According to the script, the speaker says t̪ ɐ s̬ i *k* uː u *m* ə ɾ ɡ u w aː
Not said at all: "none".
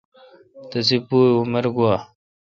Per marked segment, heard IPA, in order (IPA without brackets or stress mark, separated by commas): p, m